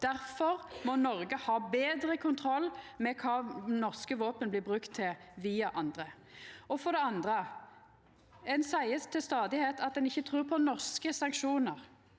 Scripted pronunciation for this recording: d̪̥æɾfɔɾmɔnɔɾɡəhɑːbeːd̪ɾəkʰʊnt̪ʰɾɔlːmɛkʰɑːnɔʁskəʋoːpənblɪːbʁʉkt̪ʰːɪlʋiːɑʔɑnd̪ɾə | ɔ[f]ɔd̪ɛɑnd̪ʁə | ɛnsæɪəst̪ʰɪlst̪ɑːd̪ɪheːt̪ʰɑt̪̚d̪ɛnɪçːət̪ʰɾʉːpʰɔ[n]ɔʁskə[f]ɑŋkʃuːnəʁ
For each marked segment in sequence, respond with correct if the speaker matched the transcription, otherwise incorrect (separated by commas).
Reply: correct, correct, incorrect